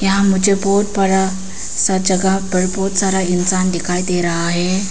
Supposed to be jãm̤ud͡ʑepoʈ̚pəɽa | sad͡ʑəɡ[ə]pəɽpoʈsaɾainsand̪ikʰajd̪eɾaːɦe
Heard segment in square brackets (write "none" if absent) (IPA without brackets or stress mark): a